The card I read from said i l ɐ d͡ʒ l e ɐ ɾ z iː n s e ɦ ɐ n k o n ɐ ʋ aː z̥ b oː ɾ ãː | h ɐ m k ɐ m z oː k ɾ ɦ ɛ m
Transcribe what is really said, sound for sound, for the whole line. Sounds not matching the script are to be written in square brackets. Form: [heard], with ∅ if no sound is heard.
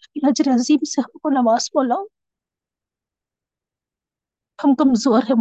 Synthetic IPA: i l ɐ d͡ʒ [ɾ] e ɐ [∅] z iː [m] s e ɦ ɐ [m] k o n ɐ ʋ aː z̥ b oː [l] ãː | h ɐ m k ɐ m z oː [∅] ɾ ɦ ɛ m